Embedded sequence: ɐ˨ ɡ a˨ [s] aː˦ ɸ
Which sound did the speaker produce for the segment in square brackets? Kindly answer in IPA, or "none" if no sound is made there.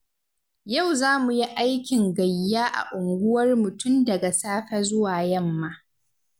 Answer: s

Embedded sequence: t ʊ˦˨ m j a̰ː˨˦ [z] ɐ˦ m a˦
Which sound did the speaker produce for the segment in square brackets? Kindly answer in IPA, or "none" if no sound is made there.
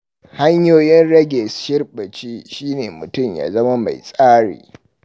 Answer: z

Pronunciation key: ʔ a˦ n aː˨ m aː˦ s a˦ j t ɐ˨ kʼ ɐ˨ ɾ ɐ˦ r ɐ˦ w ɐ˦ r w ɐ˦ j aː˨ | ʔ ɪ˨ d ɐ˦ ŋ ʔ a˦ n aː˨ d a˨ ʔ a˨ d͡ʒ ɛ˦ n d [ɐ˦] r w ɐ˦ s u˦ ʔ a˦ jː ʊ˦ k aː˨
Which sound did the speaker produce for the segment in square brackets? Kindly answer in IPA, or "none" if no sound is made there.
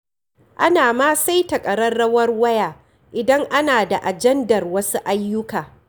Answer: ɐ˨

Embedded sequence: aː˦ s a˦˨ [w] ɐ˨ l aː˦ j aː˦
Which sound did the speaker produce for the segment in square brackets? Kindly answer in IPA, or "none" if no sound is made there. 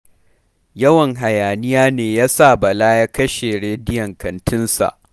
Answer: b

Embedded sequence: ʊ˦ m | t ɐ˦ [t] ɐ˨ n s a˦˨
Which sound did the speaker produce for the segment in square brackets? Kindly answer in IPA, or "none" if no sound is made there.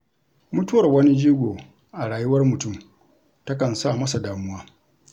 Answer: k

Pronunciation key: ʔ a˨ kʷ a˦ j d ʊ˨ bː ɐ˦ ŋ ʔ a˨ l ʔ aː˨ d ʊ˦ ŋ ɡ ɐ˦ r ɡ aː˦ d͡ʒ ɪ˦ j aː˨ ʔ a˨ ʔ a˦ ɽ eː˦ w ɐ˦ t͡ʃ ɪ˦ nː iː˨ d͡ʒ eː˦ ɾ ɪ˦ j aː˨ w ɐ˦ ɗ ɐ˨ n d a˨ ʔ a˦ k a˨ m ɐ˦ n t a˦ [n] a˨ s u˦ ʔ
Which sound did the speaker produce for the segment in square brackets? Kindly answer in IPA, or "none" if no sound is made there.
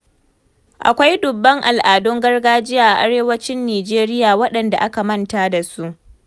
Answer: d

